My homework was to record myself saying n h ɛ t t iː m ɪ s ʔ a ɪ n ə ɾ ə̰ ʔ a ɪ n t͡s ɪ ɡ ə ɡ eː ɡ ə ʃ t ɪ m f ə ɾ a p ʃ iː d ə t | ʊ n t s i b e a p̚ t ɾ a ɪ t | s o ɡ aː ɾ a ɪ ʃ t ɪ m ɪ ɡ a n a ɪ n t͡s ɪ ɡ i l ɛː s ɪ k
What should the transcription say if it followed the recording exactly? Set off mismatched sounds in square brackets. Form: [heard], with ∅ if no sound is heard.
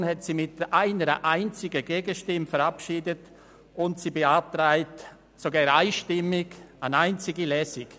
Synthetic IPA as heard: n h ɛ t [s] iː m ɪ [t] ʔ a ɪ n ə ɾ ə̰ ʔ a ɪ n t͡s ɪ ɡ ə ɡ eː ɡ ə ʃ t ɪ m f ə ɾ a p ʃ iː d ə t | ʊ n t s i b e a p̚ t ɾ a ɪ t | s o ɡ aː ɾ a ɪ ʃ t ɪ m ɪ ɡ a n a ɪ n t͡s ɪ ɡ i l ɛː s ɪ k